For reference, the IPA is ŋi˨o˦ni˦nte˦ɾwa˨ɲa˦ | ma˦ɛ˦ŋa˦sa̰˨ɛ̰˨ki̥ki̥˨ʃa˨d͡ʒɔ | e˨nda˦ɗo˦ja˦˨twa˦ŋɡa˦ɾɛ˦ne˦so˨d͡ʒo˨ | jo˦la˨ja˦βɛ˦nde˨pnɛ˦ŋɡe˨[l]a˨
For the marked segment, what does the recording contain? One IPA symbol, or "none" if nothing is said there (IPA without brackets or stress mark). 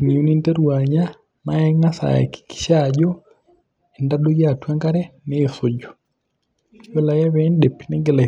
l